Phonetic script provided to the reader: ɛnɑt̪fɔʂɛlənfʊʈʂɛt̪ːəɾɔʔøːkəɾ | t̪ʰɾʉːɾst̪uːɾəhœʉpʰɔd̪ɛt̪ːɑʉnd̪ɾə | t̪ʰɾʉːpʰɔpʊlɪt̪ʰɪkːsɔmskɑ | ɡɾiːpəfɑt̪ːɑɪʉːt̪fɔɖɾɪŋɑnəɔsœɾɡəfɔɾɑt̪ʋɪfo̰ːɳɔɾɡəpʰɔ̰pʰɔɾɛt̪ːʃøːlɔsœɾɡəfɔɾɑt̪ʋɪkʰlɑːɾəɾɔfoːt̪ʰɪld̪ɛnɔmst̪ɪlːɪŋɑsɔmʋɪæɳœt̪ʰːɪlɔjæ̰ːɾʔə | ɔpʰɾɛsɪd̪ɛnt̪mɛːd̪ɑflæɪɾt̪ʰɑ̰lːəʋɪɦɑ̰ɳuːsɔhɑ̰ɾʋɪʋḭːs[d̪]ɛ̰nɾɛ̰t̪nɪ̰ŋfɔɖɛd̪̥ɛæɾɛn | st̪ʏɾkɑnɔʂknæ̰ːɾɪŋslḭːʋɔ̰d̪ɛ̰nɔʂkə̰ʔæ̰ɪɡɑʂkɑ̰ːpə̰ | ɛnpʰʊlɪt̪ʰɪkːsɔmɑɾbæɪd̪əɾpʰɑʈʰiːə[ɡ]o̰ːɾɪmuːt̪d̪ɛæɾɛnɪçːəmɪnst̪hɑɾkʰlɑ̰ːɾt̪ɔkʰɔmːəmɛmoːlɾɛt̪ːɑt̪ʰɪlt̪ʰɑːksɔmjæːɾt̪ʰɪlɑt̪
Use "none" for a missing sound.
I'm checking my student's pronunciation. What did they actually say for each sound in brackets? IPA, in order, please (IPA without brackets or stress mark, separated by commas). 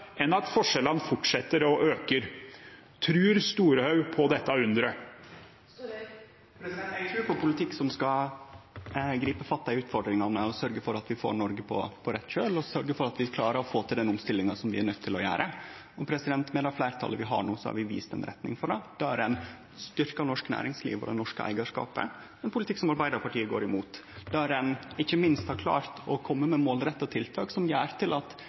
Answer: t̪, ɡ